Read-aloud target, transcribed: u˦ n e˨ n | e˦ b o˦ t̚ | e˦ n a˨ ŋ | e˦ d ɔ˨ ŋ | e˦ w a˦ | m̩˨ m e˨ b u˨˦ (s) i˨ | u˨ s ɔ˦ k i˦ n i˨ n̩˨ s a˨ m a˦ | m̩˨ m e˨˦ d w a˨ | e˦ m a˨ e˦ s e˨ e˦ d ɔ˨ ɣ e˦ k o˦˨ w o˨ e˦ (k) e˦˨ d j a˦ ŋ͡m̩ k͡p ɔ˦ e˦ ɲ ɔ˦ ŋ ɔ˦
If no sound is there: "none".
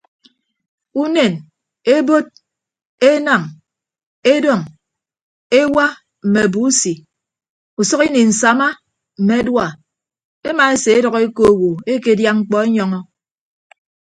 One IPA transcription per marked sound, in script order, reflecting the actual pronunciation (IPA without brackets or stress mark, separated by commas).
s, k